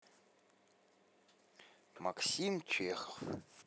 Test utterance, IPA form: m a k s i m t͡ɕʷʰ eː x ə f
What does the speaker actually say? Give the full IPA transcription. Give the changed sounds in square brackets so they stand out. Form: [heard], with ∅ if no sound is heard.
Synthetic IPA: m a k s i m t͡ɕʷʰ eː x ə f

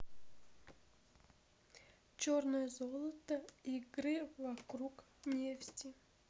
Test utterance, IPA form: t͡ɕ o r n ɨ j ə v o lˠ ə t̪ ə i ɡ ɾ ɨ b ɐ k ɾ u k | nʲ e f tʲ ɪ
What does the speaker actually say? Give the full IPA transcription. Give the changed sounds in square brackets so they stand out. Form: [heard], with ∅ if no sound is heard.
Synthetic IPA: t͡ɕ o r n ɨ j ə [z] o lˠ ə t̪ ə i ɡ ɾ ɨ [v] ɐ k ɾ u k | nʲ e f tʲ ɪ

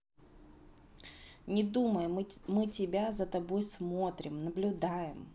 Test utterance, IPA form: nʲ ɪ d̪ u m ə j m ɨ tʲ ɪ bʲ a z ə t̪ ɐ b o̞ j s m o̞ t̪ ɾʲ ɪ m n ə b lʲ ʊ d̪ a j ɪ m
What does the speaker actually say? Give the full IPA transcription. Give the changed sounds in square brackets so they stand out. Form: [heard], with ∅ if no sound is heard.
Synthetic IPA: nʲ ɪ d̪ u m ə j m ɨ tʲ ɪ bʲ a z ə t̪ ɐ b o̞ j s m o̞ t̪ ɾʲ ɪ m n ə b lʲ ʊ d̪ a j ɪ m

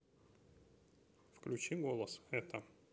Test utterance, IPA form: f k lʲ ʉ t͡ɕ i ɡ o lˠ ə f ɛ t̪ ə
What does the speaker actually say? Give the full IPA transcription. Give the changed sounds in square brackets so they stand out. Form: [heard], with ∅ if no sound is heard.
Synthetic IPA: f k lʲ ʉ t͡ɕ i ɡ o lˠ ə [s] ɛ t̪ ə

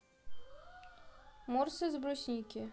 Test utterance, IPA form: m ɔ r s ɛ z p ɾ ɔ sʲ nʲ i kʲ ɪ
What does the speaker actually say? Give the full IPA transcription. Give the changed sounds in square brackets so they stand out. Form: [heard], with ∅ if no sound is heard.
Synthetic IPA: m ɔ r s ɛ z [b] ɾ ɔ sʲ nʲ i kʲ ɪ

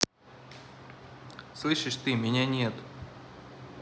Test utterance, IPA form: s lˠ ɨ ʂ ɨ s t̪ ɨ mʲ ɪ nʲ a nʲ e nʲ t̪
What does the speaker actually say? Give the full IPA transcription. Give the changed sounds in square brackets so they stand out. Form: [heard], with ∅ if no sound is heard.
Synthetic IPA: s lˠ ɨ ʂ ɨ [ʂ] t̪ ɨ mʲ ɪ nʲ a nʲ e [∅] t̪

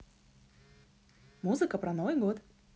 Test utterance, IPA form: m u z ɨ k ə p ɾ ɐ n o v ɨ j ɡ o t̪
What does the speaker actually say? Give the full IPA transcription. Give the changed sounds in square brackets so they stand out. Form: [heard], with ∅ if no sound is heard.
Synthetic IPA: m u z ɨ k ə p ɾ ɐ n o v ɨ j ɡ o t̪

